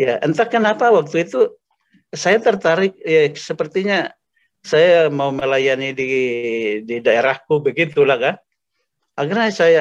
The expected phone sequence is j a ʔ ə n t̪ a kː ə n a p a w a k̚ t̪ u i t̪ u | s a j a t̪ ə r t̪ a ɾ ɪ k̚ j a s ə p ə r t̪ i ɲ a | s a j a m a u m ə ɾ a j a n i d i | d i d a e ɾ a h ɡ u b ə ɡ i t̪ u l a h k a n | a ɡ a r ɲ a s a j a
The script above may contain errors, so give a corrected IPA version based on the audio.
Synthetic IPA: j a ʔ ə n t̪ a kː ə n a p a w a k̚ t̪ u i t̪ u | s a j a t̪ ə r t̪ a ɾ ɪ k̚ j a s ə p ə r t̪ i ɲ a | s a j a m a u m ə l a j a n i d i | d i d a e ɾ a h k u b ə ɡ i t̪ u l a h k a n | a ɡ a r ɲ a s a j a